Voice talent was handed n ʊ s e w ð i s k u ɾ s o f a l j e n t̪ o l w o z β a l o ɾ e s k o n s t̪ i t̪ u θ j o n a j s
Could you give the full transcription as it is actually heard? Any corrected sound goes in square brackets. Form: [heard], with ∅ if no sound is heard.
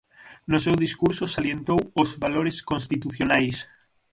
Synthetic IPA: n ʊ s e w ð i s k u ɾ s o [s] a l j e n t̪ o [∅] w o z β a l o ɾ e s k o n s t̪ i t̪ u θ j o n a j s